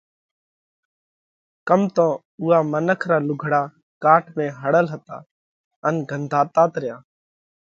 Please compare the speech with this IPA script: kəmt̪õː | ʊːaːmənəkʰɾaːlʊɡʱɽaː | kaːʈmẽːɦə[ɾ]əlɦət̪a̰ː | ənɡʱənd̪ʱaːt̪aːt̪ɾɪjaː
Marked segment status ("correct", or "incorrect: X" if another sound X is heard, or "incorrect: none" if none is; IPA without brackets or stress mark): incorrect: ɽ